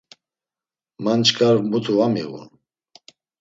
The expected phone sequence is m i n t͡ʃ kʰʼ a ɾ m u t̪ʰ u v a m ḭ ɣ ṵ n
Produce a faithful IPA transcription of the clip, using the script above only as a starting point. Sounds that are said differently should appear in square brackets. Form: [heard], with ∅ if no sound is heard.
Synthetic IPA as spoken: m [a] n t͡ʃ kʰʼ a ɾ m u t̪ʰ u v a m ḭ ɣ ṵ n